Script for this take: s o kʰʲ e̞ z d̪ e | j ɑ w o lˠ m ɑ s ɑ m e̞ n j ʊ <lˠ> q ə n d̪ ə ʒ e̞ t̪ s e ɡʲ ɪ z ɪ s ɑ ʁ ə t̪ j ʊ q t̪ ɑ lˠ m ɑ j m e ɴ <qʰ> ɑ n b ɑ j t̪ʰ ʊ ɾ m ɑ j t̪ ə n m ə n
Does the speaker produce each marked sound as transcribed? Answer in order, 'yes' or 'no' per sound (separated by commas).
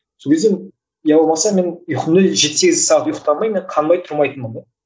no, yes